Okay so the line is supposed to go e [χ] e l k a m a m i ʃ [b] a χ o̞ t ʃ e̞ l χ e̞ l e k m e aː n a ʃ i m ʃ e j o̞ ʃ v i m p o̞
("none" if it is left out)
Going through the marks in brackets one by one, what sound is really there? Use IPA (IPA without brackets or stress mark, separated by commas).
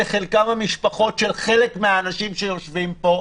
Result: χ, p